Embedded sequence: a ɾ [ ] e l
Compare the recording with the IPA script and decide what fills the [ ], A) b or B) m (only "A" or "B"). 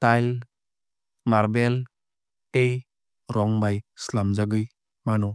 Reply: A